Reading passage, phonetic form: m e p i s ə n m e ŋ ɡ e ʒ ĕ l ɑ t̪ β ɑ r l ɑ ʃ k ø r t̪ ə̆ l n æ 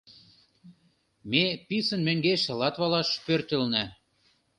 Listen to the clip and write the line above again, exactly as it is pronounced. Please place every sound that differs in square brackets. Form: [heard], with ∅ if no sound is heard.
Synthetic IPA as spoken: m e p i s ə n m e ŋ ɡ e [ʃ] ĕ l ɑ t̪ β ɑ [∅] l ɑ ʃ [p] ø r t̪ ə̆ l n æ